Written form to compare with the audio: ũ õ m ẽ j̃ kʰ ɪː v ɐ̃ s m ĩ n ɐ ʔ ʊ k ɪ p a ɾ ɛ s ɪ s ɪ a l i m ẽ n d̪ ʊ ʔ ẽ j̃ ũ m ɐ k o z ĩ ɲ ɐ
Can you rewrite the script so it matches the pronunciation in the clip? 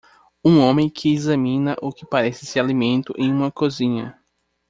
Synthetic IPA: ũ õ m ẽ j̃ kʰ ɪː z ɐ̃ m ĩ n ɐ ʔ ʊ k ɪ p a ɾ ɛ s ɪ s ɪ a l i m ẽ n t̪ ʊ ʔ ẽ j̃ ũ m ɐ k o z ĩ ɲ ɐ